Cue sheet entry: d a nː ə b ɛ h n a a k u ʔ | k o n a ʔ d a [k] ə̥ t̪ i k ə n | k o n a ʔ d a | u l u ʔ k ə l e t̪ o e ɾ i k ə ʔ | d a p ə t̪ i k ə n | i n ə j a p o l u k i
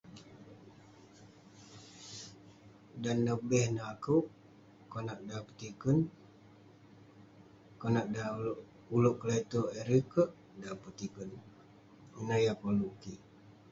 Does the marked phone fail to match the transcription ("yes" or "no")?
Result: yes